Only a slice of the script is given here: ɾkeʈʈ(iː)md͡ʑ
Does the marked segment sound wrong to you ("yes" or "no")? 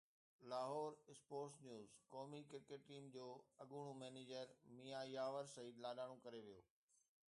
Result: no